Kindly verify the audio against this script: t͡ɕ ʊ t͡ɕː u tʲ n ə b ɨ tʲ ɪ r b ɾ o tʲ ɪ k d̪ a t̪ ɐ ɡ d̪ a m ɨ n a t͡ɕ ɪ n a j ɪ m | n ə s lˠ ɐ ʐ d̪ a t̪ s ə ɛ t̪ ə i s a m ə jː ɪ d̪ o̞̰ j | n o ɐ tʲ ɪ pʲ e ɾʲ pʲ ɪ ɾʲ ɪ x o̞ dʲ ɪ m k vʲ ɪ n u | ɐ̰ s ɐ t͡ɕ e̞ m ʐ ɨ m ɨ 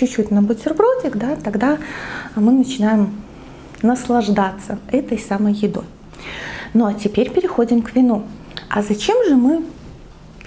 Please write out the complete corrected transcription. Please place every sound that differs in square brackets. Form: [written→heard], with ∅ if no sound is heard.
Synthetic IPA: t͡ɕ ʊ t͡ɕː u tʲ n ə b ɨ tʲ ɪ r b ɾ o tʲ ɪ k d̪ a t̪ ɐ ɡ d̪ a m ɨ n [a→ə] t͡ɕ ɪ n a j ɪ m | n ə s lˠ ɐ ʐ d̪ a t̪ s ə ɛ t̪ ə [i→j] s a m ə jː ɪ d̪ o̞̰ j | n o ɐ tʲ ɪ pʲ e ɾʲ pʲ ɪ ɾʲ ɪ x o̞ dʲ ɪ m k vʲ ɪ n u | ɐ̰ [s→z] ɐ t͡ɕ e̞ m ʐ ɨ m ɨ